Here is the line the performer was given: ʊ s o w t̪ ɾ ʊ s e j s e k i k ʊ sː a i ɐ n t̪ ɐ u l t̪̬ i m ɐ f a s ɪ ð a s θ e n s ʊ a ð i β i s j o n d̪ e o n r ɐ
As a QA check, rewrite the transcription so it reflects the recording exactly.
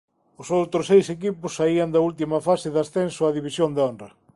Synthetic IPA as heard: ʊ s o w t̪ ɾ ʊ s e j s e k i p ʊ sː a i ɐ n d̪ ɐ u l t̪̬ i m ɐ f a s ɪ ð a s θ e n s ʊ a ð i β i s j o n d̪ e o n r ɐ